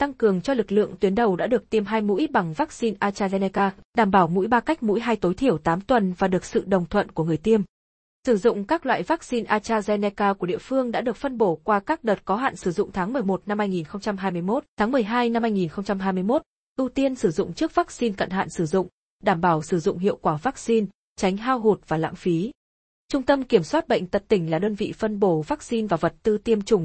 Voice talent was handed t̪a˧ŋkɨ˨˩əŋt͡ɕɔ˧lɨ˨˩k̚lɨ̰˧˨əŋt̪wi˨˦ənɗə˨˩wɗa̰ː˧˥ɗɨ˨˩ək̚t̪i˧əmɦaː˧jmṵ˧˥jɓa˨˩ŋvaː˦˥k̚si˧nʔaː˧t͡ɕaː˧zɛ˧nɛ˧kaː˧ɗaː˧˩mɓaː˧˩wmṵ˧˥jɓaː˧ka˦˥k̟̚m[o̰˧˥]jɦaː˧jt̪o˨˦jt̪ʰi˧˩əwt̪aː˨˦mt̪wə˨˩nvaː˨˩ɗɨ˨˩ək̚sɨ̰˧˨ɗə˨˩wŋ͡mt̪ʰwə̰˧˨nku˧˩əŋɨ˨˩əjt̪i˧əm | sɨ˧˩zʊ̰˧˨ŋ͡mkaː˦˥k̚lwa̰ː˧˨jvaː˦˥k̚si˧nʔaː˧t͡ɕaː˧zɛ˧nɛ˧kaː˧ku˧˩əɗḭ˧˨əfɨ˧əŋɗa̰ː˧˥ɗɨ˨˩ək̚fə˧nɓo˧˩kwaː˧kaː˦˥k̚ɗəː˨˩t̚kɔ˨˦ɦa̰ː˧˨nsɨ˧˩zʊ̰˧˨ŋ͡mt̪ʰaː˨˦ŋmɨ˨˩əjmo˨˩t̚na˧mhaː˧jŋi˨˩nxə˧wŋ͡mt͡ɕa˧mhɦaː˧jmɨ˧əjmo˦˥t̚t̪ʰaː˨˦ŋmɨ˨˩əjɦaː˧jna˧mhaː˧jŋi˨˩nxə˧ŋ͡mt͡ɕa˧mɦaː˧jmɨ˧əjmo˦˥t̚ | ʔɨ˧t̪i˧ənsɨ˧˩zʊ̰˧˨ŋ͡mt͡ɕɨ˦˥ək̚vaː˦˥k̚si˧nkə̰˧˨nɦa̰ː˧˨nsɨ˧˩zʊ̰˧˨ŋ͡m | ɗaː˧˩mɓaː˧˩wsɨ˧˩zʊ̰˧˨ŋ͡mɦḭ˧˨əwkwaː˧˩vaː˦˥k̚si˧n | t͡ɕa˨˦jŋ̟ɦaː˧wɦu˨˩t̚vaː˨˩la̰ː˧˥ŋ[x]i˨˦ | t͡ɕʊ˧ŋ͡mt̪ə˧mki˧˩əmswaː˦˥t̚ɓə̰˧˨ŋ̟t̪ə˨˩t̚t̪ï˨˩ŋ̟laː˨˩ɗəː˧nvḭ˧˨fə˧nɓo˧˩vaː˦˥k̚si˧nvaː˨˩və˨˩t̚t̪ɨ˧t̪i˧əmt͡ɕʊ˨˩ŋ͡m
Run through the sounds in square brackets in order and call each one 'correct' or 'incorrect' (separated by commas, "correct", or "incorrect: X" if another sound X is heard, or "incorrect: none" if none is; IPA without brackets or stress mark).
incorrect: ṵ˧˥, incorrect: f